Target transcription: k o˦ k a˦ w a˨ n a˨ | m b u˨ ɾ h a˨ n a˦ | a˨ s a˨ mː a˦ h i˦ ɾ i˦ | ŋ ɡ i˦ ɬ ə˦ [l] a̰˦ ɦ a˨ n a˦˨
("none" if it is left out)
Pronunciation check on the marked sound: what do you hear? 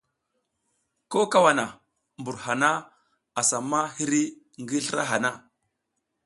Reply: ɾ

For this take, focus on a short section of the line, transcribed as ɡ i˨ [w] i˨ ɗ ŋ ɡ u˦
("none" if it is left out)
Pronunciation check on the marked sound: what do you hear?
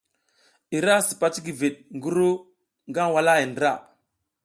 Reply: v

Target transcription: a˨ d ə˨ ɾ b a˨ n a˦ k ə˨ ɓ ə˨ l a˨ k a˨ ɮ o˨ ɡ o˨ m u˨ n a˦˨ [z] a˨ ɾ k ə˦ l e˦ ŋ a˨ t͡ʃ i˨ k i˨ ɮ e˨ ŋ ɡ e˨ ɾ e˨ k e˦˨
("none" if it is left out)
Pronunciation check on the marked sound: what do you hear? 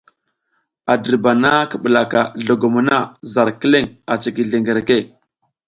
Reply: z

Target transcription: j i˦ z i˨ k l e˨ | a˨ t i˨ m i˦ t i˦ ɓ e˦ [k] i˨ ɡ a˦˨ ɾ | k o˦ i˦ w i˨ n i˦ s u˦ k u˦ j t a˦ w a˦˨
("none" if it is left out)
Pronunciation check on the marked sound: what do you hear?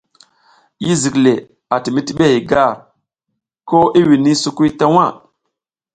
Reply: none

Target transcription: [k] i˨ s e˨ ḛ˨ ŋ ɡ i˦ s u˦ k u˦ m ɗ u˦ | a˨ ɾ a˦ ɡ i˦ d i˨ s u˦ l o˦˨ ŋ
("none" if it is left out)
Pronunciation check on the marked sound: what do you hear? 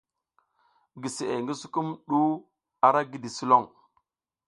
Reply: ɡ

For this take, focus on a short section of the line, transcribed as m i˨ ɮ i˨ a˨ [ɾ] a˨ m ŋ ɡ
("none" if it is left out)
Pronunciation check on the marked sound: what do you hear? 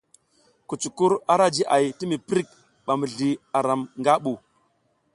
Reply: ɾ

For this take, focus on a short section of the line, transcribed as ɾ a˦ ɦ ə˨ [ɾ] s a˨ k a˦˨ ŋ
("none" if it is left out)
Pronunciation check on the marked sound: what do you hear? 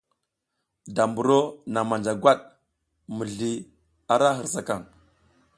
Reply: ɾ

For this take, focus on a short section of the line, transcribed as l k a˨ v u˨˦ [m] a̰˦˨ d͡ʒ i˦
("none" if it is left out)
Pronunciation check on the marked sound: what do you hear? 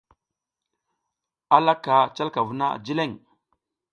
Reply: n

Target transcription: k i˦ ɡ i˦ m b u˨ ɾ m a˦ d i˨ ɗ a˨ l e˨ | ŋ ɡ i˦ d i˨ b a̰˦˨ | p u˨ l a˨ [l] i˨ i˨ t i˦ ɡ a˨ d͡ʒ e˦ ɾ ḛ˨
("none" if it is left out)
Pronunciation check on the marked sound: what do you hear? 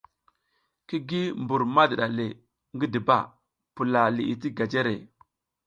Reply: l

